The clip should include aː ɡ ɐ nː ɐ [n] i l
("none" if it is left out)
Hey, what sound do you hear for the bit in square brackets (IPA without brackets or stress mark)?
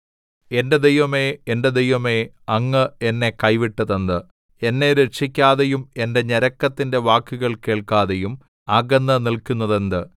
n